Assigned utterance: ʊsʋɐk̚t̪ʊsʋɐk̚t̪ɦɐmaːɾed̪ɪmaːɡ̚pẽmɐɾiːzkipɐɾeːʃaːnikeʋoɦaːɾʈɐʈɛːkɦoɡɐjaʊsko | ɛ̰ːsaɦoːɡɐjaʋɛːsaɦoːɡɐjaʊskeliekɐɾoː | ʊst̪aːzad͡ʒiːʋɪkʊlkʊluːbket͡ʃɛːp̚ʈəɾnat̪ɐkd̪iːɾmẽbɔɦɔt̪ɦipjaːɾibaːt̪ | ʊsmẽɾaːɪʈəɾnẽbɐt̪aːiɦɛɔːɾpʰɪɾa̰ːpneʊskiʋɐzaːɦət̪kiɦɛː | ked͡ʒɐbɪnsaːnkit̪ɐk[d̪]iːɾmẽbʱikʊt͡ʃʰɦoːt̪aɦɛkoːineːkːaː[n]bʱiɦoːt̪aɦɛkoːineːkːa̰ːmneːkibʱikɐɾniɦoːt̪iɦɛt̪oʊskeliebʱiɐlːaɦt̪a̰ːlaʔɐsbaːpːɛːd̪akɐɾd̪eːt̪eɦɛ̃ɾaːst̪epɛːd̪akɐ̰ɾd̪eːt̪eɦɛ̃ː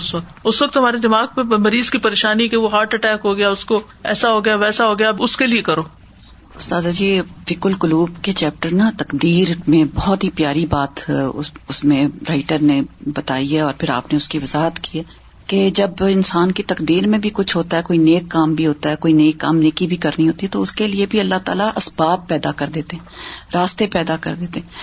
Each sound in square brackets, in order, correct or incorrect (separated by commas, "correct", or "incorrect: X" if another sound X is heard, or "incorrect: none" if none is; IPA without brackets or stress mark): correct, incorrect: m